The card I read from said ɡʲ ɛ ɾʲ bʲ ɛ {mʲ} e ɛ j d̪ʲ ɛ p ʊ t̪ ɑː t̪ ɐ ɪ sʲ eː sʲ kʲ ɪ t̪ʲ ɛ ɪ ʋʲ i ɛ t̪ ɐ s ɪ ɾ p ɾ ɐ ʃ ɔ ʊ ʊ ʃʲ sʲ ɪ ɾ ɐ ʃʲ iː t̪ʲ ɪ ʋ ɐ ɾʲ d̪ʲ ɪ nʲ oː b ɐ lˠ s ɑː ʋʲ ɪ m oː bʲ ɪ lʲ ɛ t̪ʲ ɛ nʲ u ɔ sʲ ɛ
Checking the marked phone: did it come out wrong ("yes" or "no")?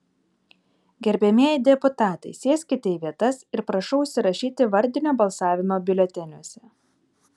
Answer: no